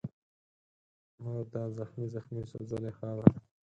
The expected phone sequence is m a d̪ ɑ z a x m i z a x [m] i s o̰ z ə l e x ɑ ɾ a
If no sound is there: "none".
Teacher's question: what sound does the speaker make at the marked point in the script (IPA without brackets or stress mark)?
m